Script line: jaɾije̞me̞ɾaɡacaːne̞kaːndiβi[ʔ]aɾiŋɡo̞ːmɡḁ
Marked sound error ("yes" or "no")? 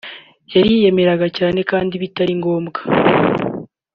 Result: yes